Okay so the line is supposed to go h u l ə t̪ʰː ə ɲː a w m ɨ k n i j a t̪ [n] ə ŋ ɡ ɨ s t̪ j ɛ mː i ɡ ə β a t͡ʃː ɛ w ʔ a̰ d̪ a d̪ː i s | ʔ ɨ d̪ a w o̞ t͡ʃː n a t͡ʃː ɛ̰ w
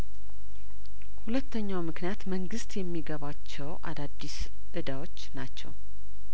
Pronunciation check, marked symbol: incorrect: m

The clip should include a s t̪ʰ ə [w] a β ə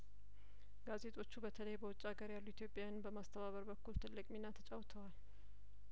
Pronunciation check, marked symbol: incorrect: β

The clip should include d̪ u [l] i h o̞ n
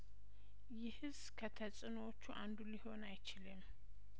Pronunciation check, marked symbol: correct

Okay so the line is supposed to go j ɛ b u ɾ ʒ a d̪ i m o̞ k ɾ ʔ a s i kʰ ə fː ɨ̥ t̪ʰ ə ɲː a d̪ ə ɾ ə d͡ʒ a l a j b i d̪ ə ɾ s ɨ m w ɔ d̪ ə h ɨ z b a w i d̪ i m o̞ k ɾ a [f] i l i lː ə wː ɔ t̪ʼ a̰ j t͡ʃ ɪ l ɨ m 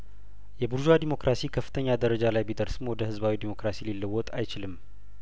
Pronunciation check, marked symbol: incorrect: s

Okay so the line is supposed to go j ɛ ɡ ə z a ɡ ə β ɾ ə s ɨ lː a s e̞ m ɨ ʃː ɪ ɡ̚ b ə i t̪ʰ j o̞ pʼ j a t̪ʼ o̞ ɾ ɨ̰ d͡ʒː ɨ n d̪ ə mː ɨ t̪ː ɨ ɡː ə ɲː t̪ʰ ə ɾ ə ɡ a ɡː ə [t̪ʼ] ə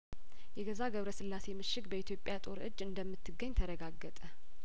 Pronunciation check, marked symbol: correct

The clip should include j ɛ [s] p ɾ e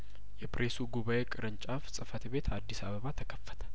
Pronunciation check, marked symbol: incorrect: none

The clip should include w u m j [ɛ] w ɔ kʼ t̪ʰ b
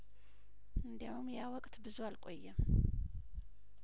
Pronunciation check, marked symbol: incorrect: a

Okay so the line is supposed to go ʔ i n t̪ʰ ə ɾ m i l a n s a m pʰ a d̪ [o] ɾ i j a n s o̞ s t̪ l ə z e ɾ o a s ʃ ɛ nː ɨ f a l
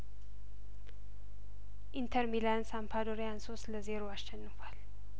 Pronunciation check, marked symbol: correct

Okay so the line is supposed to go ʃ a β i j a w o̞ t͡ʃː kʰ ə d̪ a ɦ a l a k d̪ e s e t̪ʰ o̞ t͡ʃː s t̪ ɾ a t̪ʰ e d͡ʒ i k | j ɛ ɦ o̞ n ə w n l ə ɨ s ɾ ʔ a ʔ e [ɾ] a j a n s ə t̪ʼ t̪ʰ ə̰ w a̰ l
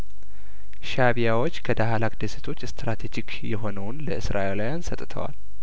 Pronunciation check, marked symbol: incorrect: l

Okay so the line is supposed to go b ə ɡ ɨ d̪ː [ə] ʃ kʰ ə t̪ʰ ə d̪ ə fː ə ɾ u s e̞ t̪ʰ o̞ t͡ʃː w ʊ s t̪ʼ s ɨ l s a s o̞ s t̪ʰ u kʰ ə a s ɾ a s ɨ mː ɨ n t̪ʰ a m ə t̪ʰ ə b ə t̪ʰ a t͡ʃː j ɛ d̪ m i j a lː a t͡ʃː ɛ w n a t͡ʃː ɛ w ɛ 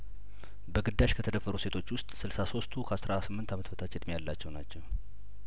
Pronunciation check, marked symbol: incorrect: a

